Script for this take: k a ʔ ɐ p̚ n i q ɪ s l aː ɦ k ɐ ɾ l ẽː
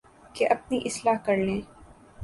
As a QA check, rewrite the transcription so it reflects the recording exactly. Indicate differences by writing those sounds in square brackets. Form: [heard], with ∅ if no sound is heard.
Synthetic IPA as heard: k [e] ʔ ɐ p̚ n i [ʔ] ɪ s l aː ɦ k ɐ ɾ l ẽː